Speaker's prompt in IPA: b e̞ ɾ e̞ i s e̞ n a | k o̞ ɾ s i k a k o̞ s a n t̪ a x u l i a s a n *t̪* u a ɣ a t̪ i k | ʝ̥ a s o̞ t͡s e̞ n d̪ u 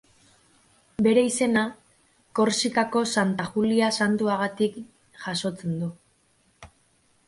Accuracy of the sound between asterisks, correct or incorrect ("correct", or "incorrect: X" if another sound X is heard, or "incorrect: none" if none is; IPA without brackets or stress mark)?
correct